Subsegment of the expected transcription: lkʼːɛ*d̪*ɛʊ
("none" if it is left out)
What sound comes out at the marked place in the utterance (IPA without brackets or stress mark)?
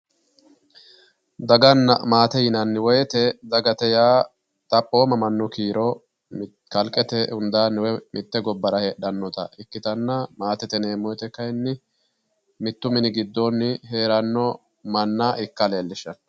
t̪